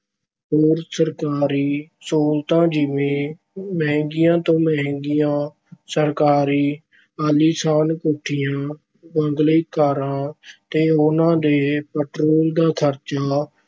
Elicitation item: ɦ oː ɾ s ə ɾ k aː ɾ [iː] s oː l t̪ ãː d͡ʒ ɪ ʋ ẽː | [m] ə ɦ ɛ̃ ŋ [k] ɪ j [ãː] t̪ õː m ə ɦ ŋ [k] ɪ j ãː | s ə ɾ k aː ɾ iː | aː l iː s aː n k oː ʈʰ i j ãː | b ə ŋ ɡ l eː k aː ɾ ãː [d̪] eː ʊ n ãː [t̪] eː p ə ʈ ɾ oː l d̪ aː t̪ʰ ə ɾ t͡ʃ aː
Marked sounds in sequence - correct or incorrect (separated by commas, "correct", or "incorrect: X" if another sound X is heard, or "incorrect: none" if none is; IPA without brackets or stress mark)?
correct, correct, incorrect: ɡ, correct, incorrect: ɡ, incorrect: t̪, incorrect: d̪